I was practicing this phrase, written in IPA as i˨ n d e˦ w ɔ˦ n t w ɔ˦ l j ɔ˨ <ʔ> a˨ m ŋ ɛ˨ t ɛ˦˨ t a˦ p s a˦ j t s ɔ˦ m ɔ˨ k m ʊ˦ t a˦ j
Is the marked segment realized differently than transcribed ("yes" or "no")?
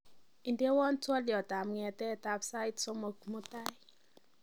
yes